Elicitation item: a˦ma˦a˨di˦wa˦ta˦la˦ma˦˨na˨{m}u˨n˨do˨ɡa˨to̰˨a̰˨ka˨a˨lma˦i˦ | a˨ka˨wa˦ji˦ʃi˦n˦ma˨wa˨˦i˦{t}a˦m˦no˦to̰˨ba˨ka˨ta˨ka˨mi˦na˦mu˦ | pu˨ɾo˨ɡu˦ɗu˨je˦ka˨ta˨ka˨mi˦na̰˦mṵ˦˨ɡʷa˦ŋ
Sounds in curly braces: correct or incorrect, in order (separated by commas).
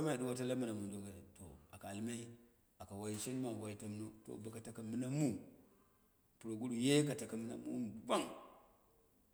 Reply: correct, correct